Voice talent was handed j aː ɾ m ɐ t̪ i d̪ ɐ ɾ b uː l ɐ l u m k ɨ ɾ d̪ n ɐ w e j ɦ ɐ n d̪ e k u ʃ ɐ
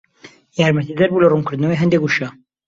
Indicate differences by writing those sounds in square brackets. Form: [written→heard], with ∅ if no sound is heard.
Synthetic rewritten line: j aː ɾ m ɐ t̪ i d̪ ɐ ɾ b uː l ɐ [l→r] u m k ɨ ɾ d̪ n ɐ w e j ɦ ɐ n d̪ e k u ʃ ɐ